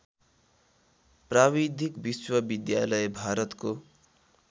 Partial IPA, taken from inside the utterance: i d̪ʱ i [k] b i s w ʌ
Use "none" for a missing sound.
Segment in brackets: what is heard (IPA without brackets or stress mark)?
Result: k